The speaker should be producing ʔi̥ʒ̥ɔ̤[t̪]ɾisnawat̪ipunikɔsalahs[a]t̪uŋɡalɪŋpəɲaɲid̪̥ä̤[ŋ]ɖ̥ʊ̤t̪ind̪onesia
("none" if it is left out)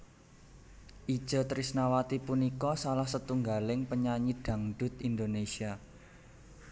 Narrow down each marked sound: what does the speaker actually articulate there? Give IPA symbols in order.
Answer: t̪, ə, ŋ

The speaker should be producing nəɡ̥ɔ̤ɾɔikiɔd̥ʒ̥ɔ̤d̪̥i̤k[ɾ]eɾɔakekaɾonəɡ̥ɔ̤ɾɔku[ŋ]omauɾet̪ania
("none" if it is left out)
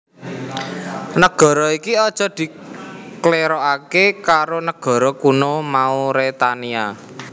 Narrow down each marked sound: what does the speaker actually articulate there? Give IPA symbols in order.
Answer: l, n

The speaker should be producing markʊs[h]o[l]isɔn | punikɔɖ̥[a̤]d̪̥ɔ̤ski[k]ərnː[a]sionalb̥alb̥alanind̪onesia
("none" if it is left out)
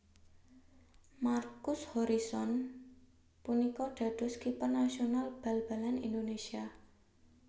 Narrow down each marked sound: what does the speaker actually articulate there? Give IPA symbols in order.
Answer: h, ɾ, a̤, p, a

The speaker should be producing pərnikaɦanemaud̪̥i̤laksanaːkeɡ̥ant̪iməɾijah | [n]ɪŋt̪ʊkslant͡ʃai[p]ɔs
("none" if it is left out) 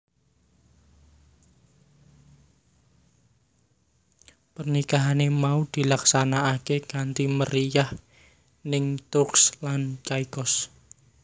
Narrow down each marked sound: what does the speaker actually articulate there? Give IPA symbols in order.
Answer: n, k

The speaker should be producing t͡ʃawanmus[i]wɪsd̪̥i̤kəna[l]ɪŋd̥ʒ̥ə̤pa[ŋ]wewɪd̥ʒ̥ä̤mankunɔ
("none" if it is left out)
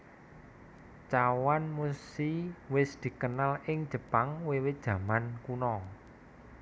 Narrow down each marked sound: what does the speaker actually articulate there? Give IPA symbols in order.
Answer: i, l, ŋ

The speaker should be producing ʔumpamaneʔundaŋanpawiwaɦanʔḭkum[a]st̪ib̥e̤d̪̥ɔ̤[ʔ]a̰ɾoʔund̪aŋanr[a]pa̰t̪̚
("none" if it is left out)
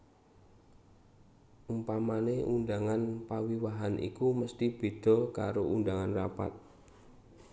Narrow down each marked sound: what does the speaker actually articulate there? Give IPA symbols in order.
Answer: ə, k, a

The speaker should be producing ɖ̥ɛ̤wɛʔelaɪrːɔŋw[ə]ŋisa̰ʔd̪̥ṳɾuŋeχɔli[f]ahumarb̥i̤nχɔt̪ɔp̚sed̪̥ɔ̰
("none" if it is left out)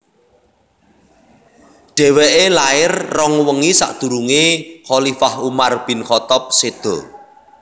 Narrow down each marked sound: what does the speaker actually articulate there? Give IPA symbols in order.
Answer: ə, f

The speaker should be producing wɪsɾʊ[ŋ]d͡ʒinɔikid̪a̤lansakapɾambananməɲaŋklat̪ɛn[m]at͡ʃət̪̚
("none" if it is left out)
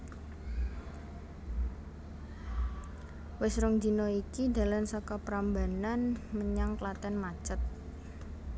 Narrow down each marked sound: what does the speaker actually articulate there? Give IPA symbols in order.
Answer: ŋ, m

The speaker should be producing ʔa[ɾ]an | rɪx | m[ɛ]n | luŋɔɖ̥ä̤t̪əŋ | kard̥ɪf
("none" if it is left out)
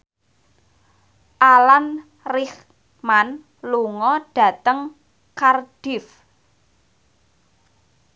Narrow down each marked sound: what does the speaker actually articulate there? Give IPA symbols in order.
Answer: l, a

